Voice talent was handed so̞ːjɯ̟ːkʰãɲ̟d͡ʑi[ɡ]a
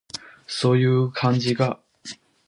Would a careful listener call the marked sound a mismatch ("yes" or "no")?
no